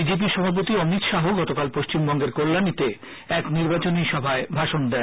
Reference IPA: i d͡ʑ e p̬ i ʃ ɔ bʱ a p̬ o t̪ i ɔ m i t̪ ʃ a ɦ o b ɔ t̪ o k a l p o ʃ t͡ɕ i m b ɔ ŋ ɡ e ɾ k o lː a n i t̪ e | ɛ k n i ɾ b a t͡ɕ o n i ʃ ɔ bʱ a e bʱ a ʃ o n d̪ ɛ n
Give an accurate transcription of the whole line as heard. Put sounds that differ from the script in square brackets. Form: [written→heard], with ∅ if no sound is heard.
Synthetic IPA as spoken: i d͡ʑ e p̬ i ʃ ɔ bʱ a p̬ o t̪ i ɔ m i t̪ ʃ a ɦ o [b→ɡ] ɔ t̪ o k a l p o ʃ t͡ɕ i m b ɔ ŋ ɡ e ɾ k o lː a n i t̪ e | ɛ k n i ɾ b a t͡ɕ o n i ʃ ɔ bʱ a e bʱ a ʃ o n d̪ ɛ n